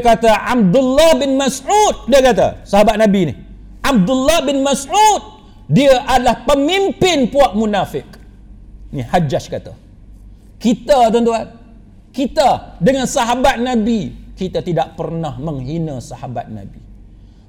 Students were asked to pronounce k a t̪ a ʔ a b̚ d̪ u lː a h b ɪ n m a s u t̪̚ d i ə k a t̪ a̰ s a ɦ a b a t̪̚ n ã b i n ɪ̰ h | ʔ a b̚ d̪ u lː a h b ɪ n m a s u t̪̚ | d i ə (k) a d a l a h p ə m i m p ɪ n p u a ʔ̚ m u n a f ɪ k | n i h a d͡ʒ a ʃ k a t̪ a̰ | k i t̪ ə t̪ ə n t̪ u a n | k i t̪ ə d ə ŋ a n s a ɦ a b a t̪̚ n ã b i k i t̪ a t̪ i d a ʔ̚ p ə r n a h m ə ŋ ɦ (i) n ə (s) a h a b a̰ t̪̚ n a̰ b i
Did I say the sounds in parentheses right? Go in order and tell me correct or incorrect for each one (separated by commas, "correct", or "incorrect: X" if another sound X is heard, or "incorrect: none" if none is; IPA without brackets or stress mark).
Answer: incorrect: ʔ, correct, correct